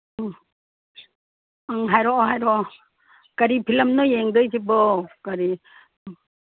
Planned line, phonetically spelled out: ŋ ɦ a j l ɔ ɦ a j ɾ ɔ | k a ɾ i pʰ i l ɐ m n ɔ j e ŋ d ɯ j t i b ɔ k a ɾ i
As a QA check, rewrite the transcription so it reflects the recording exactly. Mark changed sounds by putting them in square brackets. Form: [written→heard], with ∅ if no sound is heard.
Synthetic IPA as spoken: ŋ ɦ a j [l→ɾ] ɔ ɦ a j ɾ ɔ | k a ɾ i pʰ i l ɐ m n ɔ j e ŋ d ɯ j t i b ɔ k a ɾ i